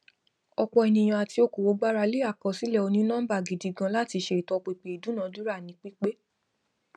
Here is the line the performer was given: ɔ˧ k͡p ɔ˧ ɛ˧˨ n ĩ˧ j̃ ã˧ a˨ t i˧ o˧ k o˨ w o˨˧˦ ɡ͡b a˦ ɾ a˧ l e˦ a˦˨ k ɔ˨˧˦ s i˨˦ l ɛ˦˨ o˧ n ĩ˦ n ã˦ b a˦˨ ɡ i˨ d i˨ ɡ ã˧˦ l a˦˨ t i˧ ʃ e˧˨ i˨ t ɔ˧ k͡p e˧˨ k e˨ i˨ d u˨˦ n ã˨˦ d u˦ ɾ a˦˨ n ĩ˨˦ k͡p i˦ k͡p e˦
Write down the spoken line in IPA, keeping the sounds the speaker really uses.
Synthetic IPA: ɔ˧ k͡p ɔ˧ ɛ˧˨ n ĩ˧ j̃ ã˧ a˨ t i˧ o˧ k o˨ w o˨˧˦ ɡ͡b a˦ ɾ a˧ l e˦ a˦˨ k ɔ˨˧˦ s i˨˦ l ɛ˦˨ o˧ n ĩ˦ n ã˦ b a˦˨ ɡ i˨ d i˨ ɡ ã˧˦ l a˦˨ t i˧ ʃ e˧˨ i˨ t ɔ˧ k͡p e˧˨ k͡p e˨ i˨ d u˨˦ n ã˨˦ d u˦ ɾ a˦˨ n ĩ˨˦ k͡p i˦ k͡p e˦